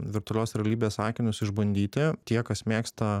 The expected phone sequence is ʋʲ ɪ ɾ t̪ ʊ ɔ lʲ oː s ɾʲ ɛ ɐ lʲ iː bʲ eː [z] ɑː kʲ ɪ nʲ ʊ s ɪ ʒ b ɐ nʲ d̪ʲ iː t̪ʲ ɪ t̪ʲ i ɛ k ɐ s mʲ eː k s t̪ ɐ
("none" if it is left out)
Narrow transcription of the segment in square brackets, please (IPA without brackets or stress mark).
s